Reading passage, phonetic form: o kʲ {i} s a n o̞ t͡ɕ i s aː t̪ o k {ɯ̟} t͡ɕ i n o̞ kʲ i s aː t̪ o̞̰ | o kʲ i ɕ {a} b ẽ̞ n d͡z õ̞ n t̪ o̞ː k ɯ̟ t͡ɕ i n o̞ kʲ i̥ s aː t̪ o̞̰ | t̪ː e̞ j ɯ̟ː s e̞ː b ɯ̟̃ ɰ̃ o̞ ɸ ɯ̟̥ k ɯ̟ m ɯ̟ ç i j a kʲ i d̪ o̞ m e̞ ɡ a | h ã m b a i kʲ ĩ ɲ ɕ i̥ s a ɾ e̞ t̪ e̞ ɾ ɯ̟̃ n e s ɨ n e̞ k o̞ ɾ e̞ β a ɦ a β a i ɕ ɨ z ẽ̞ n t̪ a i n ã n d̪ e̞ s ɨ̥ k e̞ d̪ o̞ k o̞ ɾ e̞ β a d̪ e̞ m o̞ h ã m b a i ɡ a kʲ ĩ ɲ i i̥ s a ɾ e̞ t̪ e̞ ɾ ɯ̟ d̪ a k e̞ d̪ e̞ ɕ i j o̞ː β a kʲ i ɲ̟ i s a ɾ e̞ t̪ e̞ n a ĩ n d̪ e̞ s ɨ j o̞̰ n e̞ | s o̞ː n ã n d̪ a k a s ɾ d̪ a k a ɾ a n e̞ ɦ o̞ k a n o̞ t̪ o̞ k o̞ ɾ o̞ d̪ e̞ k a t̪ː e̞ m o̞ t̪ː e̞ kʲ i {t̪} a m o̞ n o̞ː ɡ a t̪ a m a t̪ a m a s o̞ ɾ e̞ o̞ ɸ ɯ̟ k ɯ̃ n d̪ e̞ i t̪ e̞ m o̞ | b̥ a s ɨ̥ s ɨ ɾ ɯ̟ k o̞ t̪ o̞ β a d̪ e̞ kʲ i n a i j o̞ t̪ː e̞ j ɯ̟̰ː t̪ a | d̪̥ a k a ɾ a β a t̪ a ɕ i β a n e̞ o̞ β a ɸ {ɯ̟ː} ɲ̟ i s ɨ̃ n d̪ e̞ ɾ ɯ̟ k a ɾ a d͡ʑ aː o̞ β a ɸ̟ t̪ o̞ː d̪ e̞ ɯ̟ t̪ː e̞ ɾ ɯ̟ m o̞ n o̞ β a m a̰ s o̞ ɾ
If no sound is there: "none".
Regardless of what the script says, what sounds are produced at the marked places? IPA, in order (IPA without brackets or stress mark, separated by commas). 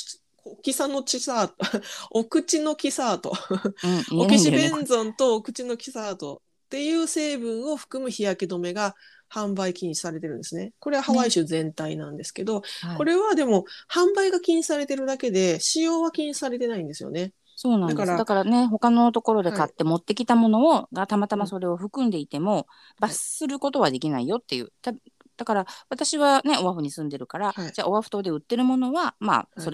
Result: i, ɯ̟, i, t̪, ɯ̟